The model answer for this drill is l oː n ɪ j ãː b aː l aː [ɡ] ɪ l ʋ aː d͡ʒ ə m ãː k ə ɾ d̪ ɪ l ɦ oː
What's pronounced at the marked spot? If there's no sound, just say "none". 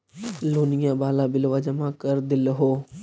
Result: b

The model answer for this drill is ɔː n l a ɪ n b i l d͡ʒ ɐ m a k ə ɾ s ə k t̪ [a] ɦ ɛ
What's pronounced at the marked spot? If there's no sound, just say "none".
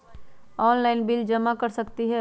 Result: i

